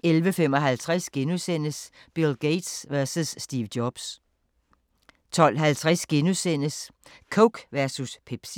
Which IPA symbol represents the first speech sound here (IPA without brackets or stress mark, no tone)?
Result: e